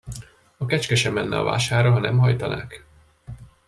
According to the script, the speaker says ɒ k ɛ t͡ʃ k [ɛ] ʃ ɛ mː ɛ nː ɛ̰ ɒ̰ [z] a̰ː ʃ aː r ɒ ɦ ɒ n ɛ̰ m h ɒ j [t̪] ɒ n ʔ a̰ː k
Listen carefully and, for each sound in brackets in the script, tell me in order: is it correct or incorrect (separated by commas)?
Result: correct, incorrect, correct